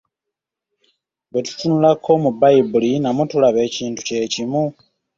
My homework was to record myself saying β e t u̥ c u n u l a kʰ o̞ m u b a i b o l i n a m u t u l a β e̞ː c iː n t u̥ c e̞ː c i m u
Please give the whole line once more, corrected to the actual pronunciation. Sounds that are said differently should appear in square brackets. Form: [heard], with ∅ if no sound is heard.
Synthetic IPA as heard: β e t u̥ [t] u n u l a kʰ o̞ m u b a i b [u] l i n a m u t u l a β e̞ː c iː n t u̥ c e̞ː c i m u